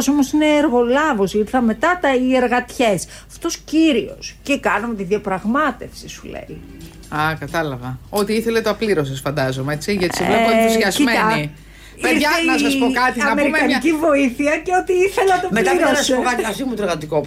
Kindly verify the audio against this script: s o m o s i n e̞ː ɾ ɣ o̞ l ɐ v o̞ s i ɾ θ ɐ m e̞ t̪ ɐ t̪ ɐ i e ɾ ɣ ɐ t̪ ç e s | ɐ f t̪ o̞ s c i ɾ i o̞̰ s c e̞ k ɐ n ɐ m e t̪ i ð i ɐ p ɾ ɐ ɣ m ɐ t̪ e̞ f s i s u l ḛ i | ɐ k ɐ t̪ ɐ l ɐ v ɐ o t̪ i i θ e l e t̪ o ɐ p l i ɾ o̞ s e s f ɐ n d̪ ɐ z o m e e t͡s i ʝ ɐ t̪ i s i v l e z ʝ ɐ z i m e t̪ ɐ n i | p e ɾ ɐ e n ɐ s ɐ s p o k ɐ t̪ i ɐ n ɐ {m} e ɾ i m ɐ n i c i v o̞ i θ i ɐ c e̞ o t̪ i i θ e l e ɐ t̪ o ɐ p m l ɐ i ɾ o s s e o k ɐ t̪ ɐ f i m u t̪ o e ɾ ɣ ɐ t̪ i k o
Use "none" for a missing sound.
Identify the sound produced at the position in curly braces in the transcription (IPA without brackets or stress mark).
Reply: m